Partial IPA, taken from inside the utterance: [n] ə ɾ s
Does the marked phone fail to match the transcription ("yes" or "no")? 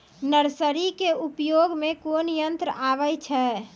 no